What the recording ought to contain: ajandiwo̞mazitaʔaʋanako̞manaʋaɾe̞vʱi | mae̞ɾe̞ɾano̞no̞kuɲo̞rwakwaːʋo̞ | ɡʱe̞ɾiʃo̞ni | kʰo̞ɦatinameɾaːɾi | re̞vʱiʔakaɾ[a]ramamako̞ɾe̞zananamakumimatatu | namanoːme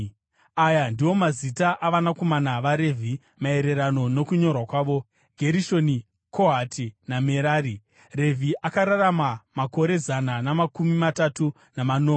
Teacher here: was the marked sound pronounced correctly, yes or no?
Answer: yes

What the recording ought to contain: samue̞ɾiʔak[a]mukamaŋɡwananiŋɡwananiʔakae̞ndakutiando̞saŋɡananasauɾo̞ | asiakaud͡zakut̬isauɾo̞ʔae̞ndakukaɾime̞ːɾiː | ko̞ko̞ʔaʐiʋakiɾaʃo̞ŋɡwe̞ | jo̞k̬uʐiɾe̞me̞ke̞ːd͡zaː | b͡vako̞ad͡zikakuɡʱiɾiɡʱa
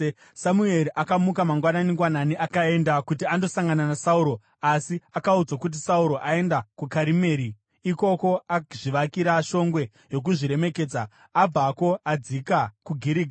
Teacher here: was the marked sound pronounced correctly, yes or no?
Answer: yes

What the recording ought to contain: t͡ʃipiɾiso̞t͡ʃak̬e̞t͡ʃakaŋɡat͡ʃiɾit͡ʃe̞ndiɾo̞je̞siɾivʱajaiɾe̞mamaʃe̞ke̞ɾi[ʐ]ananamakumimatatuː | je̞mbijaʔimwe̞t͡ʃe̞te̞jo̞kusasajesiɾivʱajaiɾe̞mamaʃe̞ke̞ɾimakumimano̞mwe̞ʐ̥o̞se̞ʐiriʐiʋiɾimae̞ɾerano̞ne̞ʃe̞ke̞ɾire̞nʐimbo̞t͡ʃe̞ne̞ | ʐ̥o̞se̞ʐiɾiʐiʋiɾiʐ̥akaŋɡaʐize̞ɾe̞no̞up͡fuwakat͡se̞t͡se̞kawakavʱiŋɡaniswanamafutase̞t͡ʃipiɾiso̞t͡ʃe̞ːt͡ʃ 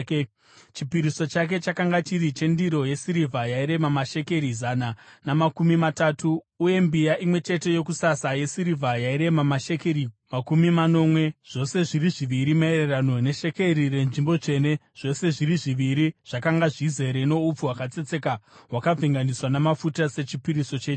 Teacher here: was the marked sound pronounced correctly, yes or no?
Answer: no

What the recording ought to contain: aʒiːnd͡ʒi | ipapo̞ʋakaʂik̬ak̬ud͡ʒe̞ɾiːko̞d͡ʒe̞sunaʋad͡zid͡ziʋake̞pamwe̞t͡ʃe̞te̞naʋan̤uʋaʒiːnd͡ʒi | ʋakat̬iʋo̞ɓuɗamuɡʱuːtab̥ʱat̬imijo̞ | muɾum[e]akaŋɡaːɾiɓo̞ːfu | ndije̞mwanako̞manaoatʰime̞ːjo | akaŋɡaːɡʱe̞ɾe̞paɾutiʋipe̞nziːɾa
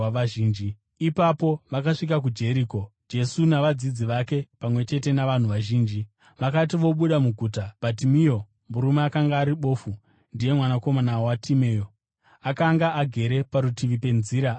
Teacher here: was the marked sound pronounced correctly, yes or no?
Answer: yes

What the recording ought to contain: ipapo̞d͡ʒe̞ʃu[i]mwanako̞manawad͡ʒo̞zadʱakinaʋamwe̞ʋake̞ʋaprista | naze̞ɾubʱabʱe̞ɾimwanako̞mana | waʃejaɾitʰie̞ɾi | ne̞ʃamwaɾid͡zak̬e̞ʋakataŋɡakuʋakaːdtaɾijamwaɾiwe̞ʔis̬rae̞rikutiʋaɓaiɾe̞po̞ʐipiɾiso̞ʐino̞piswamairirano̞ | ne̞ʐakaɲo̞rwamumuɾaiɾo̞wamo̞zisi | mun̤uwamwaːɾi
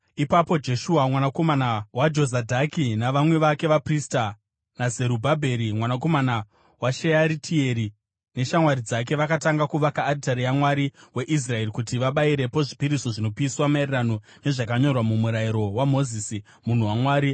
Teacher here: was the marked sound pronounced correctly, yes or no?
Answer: no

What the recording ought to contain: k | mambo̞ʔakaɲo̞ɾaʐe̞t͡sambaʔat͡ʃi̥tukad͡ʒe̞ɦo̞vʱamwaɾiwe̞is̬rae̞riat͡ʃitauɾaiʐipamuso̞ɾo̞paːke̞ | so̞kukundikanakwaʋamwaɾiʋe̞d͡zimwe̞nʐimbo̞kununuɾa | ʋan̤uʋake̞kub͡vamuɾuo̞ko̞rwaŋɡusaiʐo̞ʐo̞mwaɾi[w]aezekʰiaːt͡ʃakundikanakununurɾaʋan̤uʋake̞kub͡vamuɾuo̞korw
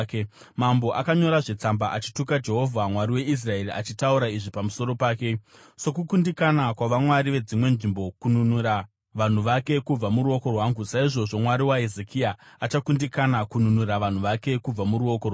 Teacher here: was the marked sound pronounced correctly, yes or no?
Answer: yes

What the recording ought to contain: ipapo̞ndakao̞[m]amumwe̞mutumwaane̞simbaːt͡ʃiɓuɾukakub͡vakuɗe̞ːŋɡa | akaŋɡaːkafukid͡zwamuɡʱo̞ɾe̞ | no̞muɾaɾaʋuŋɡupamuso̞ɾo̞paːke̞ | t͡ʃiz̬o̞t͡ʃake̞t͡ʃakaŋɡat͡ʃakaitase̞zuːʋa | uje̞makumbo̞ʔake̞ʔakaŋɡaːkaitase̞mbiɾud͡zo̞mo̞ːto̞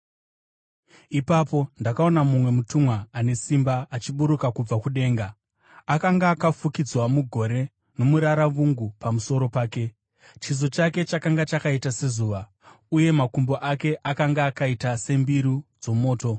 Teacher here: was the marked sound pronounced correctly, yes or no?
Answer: no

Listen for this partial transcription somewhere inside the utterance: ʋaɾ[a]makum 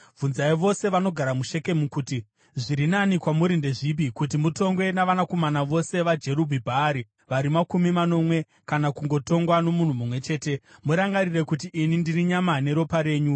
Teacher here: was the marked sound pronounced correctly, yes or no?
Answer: no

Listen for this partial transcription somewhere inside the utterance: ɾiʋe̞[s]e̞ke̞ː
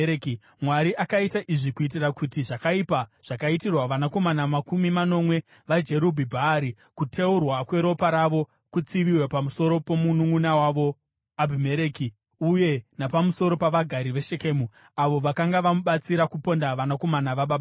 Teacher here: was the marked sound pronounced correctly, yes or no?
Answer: no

